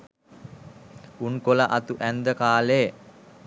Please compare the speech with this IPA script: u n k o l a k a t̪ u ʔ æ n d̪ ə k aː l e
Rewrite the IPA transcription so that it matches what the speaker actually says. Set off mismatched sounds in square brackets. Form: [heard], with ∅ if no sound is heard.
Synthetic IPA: u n k o l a [ʔ] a t̪ u ʔ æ n d̪ ə k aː l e